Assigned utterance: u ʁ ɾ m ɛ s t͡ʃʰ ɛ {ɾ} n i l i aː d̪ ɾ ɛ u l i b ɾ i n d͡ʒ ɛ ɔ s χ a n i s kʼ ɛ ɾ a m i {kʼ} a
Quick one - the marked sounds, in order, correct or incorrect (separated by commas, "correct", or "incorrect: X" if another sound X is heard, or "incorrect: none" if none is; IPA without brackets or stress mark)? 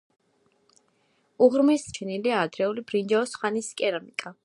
incorrect: none, correct